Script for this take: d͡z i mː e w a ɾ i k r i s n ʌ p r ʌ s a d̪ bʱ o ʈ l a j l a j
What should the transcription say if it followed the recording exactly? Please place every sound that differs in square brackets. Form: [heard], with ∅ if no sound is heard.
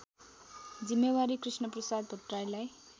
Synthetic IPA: d͡z i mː e w a ɾ i k r i s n ʌ p r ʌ s a d̪ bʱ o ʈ [r] a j l a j